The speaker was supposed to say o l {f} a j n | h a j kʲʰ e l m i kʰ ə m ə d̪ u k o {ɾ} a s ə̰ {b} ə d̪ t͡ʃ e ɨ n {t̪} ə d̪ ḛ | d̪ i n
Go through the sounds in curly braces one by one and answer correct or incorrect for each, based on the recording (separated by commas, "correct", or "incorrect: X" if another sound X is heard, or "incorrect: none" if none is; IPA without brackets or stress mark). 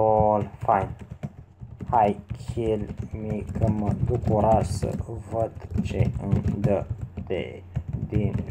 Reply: correct, correct, incorrect: v, incorrect: d̪